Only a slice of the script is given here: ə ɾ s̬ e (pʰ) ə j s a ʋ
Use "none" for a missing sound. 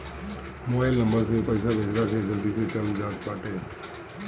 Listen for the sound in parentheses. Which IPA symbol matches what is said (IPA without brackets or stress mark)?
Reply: p